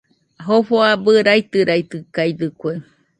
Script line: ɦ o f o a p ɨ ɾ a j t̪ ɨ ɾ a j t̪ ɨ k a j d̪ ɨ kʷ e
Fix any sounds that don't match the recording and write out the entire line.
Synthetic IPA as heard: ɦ o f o a b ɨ ɾ a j t̪ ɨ ɾ a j t̪ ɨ k a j d̪ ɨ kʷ e

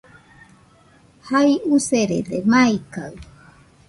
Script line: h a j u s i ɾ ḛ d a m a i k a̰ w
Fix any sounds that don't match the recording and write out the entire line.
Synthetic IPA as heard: h a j u s e ɾ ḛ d e m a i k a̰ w

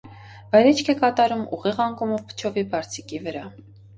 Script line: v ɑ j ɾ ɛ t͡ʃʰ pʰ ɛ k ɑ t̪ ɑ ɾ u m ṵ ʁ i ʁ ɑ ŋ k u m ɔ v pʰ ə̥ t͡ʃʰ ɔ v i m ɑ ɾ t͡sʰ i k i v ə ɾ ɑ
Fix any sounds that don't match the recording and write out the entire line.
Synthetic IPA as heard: v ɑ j ɾ ɛ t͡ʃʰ kʰ ɛ k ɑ t̪ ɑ ɾ u m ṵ ʁ i ʁ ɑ ŋ k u m ɔ v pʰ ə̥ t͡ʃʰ ɔ v i b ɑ ɾ t͡sʰ i k i v ə ɾ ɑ

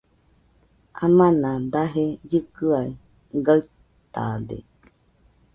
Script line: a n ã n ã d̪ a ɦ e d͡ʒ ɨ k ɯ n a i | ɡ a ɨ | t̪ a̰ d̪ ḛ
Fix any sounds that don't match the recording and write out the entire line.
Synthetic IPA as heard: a m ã n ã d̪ a ɦ e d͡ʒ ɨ k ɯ a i | ɡ a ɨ | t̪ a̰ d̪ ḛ

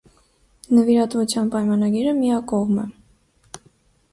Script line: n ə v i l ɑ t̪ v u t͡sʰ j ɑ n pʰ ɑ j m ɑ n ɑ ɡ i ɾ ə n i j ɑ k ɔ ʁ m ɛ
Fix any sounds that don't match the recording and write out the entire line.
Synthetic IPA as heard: n ə v i ɾ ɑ t̪ v u t͡sʰ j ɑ n p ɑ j m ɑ n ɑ ɡ i ɾ ə m i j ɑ k ɔ ʁ m ɛ

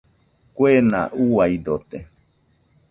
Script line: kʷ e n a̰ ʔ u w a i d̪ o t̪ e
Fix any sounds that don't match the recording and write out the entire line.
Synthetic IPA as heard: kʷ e n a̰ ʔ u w a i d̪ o t̪ e

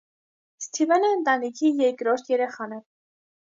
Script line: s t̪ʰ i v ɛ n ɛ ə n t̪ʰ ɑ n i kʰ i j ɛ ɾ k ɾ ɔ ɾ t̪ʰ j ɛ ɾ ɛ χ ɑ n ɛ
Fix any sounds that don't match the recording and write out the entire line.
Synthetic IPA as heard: s t̪ʰ i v ɛ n ɛ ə n t̪ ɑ n i kʰ i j ɛ ɾ k ɾ ɔ ɾ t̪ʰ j ɛ ɾ ɛ χ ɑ n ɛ

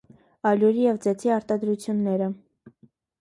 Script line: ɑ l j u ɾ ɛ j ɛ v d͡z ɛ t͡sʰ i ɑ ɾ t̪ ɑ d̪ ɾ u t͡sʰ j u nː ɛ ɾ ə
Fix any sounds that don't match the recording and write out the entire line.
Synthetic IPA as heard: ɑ l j u ɾ i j ɛ v d͡z ɛ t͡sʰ i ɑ ɾ t̪ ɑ d̪ ɾ u t͡sʰ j u nː ɛ ɾ ə

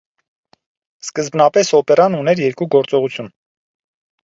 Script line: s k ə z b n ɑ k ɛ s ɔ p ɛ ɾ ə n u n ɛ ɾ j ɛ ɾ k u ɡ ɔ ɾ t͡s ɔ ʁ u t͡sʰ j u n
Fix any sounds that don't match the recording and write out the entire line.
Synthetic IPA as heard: s k ə z b n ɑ p ɛ s ɔ p ɛ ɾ ɑ n u n ɛ ɾ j ɛ ɾ k u ɡ ɔ ɾ t͡s ɔ ʁ u t͡sʰ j u n

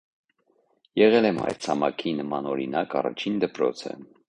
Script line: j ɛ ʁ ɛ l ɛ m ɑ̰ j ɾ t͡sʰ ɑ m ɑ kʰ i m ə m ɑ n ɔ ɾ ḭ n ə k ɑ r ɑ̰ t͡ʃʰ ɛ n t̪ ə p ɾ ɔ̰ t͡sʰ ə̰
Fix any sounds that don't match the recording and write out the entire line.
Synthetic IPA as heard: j ɛ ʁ ɛ l ɛ m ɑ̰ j ɾ t͡sʰ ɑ m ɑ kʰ i n ə m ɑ n ɔ ɾ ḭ n ɑ k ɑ r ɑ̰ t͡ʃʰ i n d̪ ə p ɾ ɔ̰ t͡sʰ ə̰

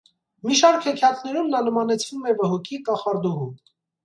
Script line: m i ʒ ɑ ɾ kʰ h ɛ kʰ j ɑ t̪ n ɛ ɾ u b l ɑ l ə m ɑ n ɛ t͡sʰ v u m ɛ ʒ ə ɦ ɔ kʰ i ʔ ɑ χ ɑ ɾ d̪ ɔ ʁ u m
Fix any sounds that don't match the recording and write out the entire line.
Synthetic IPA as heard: m i ʃ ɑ ɾ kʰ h ɛ kʰ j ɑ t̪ n ɛ ɾ u m l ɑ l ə m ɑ n ɛ t͡sʰ v u m ɛ v ə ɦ ɔ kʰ i k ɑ χ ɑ ɾ d̪ ɔ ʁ u m

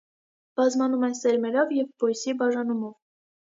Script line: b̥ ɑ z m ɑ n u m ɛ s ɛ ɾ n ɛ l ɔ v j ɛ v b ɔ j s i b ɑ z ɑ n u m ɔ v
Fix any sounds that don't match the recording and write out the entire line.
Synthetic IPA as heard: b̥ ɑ z m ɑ n u m ɛ s ɛ ɾ m ɛ ɾ ɔ v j ɛ v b ɔ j s i b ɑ ʒ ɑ n u m ɔ v

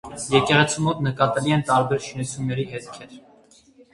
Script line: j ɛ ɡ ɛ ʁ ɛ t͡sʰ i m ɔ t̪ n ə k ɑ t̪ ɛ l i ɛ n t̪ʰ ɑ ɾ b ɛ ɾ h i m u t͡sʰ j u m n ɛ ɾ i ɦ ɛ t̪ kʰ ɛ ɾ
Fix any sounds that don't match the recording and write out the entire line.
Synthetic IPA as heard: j ɛ k ɛ ʁ ɛ t͡sʰ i m ɔ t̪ n ə k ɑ t̪ ɛ l i ɛ n t̪ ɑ ɾ b ɛ ɾ ʃ i n u t͡sʰ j u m n ɛ ɾ i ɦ ɛ t̪ kʰ ɛ ɾ

